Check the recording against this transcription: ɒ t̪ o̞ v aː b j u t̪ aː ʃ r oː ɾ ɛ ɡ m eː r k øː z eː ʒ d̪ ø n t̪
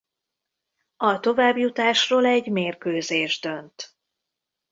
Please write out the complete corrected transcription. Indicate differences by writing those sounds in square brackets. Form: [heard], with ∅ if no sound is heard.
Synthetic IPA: ɒ t̪ o̞ v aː b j u t̪ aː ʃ r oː [l] ɛ [ɟ] m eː r k øː z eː ʒ d̪ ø n t̪

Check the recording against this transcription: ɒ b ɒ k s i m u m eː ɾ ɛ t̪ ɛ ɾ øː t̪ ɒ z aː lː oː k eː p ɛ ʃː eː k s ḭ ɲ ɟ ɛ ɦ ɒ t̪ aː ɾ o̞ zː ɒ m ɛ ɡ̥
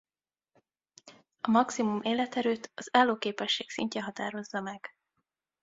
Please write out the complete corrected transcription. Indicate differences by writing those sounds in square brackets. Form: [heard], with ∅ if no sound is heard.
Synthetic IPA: ɒ [m] ɒ k s i m u m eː [l] ɛ t̪ ɛ ɾ øː t̪ ɒ z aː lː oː k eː p ɛ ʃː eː k s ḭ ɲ [c] ɛ ɦ ɒ t̪ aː ɾ o̞ zː ɒ m ɛ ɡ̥

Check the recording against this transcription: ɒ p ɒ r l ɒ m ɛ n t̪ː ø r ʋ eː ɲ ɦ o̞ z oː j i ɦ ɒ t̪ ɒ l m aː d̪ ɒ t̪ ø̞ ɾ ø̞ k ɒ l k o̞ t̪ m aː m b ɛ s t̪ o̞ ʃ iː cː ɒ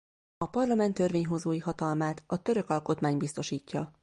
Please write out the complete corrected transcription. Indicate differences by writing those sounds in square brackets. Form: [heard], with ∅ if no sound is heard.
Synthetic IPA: ɒ p ɒ r l ɒ m ɛ n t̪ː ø r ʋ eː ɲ ɦ o̞ z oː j i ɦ ɒ t̪ ɒ l m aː [t̪] ɒ t̪ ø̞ ɾ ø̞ k ɒ l k o̞ t̪ m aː [ɲ] b [i] s t̪ o̞ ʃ iː cː ɒ

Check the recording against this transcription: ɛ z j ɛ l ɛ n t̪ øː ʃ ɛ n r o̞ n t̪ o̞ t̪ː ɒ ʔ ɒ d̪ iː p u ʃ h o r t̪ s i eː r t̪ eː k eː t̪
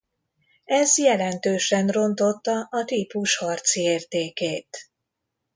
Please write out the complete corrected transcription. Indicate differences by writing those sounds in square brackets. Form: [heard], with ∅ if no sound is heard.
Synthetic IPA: ɛ z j ɛ l ɛ n t̪ øː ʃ ɛ n r o̞ n t̪ o̞ t̪ː ɒ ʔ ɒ [t̪] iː p u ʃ h [ɒ] r t̪ s i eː r t̪ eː k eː t̪

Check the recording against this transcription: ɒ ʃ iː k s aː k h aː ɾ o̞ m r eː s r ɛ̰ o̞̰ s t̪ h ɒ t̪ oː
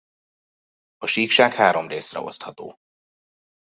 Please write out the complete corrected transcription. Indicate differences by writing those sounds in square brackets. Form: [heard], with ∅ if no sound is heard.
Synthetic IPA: ɒ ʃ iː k [ʃ] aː k h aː ɾ o̞ m r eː s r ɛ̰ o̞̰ s t̪ h ɒ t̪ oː

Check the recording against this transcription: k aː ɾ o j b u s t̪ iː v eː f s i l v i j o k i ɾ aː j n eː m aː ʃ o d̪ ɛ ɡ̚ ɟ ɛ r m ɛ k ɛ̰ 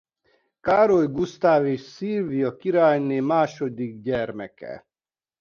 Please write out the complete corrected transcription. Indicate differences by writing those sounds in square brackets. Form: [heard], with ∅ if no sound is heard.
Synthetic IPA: k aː ɾ o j [ɡ] u s t̪ [aː] v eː [ʃ] s i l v i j [ɒ] k i ɾ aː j n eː m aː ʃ o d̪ [i] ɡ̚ ɟ ɛ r m ɛ k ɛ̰

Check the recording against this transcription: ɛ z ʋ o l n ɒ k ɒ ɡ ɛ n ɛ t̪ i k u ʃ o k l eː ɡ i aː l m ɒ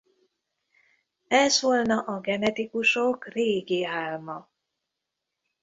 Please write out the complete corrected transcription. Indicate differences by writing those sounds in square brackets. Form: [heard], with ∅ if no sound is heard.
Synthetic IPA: ɛ z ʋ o l n ɒ [ʔ] ɒ ɡ ɛ n ɛ t̪ i k u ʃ o k [r] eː ɡ i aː l m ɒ

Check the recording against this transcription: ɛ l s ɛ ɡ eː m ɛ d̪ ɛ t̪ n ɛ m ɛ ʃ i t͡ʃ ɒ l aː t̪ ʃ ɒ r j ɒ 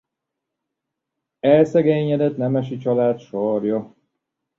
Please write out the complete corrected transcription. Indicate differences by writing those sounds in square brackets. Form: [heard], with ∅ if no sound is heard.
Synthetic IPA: ɛ l s ɛ ɡ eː [ɲ] ɛ d̪ ɛ t̪ n ɛ m ɛ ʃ i t͡ʃ ɒ l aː t̪ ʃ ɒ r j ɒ

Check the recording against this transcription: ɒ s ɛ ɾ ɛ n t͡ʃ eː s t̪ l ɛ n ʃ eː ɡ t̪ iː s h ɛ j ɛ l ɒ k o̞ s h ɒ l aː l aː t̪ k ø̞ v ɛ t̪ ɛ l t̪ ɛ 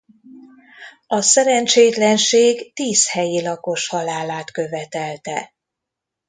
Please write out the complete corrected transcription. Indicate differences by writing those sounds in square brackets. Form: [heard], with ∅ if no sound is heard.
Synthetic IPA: ɒ s ɛ ɾ ɛ n t͡ʃ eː [∅] t̪ l ɛ n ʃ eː ɡ t̪ iː s h ɛ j [i] l ɒ k o̞ [ʃ] h ɒ l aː l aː t̪ k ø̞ v ɛ t̪ ɛ l t̪ ɛ

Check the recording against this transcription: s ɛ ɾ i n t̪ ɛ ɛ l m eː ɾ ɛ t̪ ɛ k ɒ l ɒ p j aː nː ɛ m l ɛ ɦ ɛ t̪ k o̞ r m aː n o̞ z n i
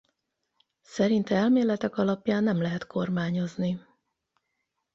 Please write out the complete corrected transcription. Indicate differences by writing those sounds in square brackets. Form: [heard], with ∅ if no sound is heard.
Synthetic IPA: s ɛ ɾ i n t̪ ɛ ɛ l m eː [l] ɛ t̪ ɛ k ɒ l ɒ p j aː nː ɛ m l ɛ ɦ ɛ t̪ k o̞ r m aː [ɲ] o̞ z n i

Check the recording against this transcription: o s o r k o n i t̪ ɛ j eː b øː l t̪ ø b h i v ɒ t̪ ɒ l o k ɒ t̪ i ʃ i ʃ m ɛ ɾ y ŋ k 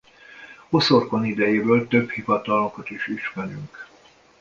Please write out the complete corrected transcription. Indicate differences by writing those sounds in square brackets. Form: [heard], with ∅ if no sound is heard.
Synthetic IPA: o s o r k o n i [d̪] ɛ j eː b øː l t̪ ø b h i v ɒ t̪ ɒ l o k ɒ t̪ i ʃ i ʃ m ɛ ɾ y ŋ k

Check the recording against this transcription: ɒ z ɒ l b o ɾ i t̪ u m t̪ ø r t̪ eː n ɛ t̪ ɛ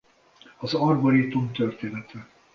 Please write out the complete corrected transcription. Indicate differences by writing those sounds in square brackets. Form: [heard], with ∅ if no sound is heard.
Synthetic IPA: ɒ z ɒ [r] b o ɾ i t̪ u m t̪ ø r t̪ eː n ɛ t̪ ɛ

